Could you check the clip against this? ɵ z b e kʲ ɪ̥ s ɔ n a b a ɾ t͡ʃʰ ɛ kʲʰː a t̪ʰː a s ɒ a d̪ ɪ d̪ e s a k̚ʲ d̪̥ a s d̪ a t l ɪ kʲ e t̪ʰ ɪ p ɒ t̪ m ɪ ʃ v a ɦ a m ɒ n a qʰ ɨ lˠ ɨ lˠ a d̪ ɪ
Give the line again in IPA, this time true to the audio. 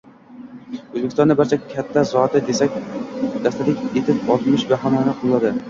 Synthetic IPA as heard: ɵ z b e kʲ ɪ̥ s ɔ n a b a ɾ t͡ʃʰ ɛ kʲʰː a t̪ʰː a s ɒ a t̪ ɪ d̪ e s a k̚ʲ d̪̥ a s t̪ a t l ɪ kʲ e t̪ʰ ɪ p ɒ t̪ m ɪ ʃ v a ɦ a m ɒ n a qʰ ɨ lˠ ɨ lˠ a d̪ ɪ